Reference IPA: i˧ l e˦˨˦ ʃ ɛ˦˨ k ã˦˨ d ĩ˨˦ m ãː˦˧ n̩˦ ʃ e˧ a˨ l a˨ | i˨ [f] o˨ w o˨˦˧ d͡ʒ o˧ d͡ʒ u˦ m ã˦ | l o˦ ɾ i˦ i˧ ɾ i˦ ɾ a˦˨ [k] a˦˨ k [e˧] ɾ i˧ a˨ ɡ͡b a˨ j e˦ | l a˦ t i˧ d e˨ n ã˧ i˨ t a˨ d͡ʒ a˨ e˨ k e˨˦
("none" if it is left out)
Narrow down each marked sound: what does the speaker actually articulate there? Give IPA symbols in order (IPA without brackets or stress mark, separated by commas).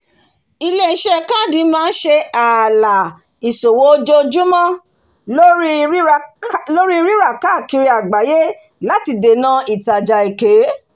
s, k, i˧